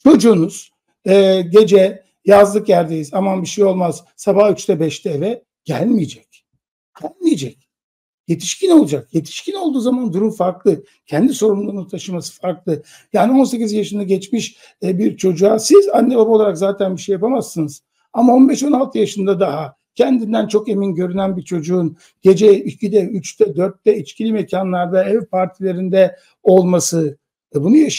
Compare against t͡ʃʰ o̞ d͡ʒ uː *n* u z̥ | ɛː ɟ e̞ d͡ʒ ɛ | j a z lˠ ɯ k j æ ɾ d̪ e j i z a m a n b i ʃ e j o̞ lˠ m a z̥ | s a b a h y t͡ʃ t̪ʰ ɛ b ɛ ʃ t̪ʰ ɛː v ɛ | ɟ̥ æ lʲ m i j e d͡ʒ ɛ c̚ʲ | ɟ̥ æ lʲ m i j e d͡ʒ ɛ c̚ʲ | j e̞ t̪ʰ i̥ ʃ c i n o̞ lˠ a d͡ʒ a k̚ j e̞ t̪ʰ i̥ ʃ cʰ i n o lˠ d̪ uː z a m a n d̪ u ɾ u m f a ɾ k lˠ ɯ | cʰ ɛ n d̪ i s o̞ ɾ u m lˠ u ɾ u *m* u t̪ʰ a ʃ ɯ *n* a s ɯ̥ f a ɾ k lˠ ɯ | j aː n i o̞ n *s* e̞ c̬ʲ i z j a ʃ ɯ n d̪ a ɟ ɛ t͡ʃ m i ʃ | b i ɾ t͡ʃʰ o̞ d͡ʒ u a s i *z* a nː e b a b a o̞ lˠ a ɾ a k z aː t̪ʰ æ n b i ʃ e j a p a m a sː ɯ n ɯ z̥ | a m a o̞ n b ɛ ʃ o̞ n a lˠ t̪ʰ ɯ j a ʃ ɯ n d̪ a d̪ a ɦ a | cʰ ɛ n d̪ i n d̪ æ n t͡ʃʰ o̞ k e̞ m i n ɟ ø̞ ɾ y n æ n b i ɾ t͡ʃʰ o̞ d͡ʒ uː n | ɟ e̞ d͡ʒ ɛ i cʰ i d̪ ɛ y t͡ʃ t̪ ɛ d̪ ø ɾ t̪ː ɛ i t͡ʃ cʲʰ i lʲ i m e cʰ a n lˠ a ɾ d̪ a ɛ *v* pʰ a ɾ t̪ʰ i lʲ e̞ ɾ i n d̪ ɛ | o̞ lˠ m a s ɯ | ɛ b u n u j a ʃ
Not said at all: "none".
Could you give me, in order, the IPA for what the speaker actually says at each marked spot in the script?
n, n, m, s, z, v

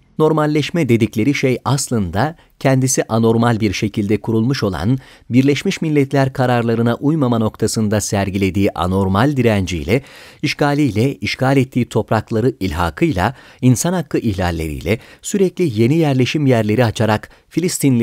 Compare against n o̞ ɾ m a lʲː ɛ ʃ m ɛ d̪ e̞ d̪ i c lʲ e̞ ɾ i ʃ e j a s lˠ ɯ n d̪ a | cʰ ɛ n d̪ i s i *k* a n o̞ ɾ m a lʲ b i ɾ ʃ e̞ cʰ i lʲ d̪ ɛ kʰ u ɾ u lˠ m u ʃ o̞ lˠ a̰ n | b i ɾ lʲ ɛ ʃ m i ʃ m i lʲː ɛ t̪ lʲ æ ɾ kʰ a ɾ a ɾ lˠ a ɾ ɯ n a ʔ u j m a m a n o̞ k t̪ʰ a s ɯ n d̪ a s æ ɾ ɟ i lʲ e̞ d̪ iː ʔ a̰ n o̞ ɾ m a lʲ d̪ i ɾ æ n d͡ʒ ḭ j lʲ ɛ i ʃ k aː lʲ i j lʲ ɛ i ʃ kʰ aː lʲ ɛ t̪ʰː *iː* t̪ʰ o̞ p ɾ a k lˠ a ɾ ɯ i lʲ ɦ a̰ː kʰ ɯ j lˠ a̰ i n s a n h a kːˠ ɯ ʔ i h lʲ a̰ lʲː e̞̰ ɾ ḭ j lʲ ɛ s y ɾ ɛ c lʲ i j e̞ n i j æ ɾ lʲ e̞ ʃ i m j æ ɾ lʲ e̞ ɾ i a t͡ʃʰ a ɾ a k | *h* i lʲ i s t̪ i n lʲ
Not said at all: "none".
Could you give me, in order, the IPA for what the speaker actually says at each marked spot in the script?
ʔ, iː, f

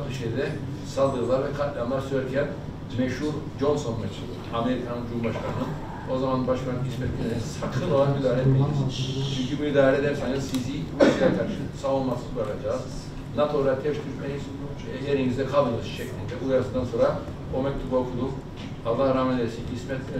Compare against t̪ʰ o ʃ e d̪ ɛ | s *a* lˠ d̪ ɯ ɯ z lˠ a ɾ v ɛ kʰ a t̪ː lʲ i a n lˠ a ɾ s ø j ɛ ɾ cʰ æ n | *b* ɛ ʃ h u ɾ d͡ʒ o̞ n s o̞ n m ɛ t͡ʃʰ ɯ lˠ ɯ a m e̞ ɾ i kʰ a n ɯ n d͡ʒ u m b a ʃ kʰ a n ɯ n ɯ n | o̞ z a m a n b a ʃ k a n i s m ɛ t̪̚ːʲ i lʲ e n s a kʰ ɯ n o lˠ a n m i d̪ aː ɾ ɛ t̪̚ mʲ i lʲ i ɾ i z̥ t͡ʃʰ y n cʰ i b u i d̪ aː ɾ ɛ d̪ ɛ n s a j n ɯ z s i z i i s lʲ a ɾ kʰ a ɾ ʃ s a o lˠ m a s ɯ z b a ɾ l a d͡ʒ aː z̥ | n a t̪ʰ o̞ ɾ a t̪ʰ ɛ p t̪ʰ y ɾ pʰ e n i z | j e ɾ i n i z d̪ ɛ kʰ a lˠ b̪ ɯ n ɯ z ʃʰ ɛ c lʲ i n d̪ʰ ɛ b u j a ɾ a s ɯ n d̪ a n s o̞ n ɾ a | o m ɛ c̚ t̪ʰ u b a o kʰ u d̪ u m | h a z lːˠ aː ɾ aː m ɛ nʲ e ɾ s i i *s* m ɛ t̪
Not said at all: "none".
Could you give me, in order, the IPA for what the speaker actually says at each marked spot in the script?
a, m, s

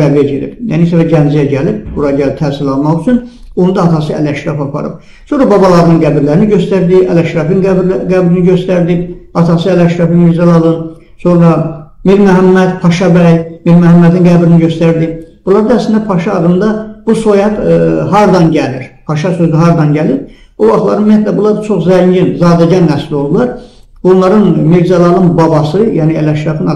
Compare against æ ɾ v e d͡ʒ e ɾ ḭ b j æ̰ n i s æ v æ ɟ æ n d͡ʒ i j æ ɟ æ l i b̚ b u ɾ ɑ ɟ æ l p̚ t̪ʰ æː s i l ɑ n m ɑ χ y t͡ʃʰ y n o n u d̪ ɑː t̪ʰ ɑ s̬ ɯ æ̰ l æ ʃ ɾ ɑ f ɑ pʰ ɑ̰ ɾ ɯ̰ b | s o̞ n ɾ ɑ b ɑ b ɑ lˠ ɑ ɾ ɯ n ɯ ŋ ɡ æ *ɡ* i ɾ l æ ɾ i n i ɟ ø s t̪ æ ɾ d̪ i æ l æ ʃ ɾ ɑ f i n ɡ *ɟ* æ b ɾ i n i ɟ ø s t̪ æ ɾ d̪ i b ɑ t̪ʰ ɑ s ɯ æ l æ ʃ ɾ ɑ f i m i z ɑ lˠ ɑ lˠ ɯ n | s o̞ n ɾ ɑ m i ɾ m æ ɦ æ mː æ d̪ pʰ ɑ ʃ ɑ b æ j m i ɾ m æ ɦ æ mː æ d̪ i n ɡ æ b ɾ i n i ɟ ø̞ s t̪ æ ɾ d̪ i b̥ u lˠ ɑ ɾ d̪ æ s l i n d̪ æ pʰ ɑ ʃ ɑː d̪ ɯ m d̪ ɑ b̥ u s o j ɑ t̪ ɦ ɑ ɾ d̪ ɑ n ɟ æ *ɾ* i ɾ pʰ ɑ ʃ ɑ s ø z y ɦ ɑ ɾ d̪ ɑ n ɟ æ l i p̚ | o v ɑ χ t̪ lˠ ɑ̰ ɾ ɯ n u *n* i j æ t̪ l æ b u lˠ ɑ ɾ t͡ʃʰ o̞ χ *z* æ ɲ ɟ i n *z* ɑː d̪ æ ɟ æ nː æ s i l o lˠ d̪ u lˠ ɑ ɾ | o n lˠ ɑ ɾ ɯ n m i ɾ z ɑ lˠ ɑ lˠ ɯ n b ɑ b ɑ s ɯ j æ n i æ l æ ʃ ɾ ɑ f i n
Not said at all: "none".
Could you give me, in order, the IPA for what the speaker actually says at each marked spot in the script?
b, ɡ, l, m, z, z

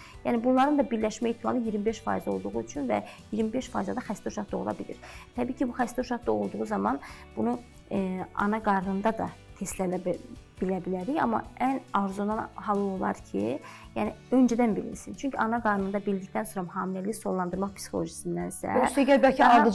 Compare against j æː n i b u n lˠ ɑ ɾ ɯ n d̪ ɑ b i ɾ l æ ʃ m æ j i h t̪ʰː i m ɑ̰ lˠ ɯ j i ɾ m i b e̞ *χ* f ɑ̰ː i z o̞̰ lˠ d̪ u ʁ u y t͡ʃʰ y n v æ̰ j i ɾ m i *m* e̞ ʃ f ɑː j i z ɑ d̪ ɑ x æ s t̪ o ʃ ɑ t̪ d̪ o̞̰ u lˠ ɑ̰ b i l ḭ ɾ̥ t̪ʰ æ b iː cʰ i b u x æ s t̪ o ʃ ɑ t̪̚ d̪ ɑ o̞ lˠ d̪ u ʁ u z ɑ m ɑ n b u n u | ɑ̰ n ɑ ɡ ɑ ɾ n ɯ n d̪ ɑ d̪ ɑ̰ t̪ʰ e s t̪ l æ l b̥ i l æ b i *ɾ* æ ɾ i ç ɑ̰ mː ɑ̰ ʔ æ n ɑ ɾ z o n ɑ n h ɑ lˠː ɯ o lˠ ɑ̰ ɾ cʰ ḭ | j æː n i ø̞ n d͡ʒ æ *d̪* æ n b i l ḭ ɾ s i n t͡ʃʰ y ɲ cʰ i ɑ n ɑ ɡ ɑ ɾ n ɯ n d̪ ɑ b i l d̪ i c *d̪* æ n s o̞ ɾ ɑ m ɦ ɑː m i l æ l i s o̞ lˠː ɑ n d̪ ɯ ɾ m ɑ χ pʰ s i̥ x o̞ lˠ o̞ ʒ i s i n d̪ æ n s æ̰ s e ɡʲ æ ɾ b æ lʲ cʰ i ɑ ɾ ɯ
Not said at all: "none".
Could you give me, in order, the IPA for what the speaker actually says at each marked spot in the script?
ʃ, b, l, d̪, t̪

